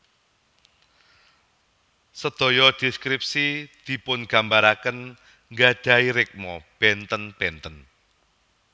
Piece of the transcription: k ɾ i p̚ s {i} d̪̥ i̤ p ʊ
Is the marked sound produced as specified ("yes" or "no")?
yes